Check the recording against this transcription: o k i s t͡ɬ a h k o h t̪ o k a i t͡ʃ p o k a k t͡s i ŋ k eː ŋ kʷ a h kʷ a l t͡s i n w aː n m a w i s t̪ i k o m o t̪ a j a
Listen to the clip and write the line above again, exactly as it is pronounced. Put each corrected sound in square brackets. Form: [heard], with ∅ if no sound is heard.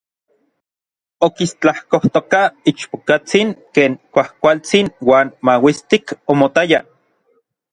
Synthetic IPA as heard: o k i s t͡ɬ a h k o h t̪ o k a i t͡ʃ p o k a [∅] t͡s i ŋ k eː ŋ kʷ a h kʷ a l t͡s i n w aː n m a w i s t̪ i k o m o t̪ a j a